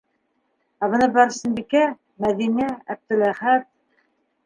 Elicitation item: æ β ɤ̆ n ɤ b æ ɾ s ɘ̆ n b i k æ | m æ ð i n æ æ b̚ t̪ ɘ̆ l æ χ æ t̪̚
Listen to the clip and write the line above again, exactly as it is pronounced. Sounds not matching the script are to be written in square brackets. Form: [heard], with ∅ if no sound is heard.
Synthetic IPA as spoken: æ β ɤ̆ n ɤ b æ ɾ s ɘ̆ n b i k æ | m æ ð i n æ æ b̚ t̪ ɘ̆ l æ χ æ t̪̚